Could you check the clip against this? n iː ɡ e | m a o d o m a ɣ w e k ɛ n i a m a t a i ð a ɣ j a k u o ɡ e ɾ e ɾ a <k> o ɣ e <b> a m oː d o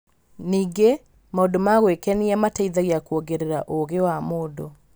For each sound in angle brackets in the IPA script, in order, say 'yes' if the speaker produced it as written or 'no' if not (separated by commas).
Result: no, no